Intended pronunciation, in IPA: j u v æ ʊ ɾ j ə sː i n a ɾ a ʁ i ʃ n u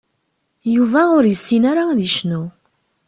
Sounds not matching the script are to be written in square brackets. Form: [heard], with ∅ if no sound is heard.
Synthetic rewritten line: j u v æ ʊ ɾ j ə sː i n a ɾ a [ð] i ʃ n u